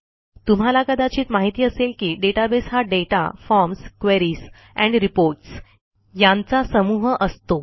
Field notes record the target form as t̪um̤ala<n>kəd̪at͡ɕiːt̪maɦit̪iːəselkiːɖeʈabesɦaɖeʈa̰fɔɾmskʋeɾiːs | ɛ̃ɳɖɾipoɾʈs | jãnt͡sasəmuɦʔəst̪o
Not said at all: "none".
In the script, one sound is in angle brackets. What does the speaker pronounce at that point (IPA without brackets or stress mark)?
none